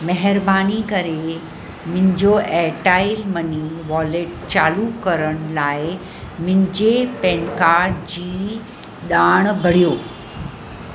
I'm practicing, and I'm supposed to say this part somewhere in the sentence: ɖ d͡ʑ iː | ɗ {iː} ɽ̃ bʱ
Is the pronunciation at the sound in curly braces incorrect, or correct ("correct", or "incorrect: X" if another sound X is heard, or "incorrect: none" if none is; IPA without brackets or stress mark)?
incorrect: aː